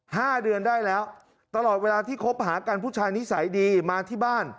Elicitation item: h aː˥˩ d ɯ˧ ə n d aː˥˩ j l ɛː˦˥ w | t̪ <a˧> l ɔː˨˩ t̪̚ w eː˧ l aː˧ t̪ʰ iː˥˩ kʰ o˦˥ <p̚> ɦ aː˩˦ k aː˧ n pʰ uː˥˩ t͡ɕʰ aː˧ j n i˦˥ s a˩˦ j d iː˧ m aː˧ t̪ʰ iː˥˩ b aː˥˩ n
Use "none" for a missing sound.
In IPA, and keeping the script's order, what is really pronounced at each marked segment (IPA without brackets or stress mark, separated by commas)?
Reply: a˧, p̚